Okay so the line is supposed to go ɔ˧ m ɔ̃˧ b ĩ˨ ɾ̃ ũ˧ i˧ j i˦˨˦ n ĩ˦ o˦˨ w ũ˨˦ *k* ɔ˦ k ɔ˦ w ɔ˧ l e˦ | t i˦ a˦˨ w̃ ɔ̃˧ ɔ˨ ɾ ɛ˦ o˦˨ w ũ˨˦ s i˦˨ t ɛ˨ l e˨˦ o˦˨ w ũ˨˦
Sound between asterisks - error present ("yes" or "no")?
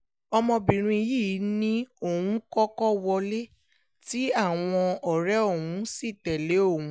no